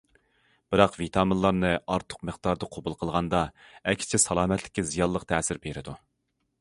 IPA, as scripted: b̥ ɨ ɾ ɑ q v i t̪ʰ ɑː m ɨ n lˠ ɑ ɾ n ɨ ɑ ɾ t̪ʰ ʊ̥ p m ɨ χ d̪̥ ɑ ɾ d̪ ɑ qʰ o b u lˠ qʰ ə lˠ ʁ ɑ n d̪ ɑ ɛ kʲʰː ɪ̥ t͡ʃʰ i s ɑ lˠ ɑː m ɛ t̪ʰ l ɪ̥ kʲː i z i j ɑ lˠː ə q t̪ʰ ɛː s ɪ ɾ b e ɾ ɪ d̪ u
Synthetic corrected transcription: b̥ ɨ ɾ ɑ q v i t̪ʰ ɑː m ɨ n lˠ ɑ ɾ n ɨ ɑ ɾ t̪ʰ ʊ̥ q m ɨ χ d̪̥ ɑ ɾ d̪ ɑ qʰ o b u lˠ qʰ ə lˠ ʁ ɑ n d̪ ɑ ɛ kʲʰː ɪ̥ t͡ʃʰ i s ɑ lˠ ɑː m ɛ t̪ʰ l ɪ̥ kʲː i z i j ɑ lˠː ə q t̪ʰ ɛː s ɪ ɾ b e ɾ ɪ d̪ u